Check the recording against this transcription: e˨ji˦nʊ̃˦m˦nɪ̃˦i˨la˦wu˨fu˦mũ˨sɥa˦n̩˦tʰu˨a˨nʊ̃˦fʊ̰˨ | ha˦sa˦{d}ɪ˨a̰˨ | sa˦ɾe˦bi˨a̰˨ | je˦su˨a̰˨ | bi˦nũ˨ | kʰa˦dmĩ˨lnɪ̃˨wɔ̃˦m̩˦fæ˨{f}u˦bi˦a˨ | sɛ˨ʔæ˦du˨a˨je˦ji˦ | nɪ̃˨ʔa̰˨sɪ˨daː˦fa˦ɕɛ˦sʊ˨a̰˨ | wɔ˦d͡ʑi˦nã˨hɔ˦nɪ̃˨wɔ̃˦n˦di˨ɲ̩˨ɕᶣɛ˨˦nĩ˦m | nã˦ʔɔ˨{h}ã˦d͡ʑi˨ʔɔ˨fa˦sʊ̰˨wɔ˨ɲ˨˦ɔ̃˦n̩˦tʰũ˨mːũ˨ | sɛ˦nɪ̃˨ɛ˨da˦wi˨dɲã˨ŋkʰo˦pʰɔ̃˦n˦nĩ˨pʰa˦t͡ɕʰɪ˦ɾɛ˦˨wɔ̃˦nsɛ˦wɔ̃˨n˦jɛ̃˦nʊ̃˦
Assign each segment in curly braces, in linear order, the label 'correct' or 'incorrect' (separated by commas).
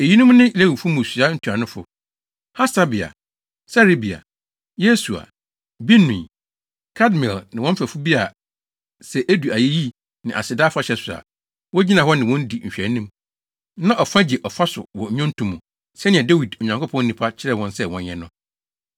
incorrect, correct, incorrect